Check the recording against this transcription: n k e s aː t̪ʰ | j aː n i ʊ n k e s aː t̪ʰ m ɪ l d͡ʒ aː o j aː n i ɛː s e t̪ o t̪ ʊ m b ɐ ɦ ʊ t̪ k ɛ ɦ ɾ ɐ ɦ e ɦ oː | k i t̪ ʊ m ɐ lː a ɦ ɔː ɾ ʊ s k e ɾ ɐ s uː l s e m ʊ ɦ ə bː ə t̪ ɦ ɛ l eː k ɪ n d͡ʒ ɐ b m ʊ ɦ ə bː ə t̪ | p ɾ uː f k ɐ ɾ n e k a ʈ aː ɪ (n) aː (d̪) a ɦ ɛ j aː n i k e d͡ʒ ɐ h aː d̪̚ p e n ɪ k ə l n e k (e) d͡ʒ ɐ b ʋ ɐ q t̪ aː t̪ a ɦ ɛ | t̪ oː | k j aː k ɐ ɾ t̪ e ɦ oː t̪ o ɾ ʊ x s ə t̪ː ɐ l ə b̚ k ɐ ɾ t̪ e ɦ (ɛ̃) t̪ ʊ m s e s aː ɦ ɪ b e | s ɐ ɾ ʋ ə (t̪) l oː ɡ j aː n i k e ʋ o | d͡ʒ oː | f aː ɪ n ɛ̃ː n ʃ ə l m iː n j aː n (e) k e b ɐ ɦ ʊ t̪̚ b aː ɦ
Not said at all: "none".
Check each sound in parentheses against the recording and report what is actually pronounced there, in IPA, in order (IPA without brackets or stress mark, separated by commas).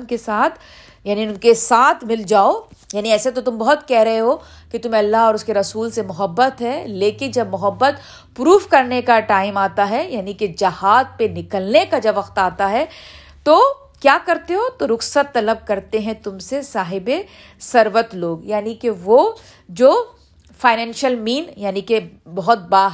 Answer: m, t̪, a, ɛ̃, t̪, i